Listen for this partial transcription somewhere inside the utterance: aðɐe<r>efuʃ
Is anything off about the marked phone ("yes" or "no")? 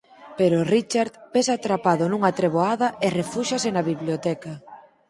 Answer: no